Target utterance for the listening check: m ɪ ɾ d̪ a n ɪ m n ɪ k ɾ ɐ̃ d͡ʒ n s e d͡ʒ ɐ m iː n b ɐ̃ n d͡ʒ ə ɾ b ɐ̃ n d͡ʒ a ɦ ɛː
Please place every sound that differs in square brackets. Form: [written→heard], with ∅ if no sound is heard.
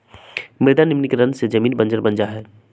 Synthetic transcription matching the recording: m ɪ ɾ d̪ a n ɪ m n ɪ k ɾ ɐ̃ [d͡ʒ→∅] n s e d͡ʒ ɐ m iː n b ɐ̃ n d͡ʒ ə ɾ b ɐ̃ n d͡ʒ a ɦ ɛː